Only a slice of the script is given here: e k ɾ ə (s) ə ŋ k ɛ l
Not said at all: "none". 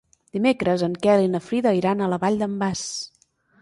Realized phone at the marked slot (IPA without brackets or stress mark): z